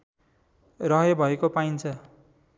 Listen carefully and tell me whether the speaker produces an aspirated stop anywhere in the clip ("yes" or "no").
yes